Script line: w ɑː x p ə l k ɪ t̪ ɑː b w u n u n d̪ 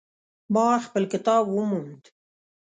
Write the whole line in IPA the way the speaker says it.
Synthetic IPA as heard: b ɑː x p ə l k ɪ t̪ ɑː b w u m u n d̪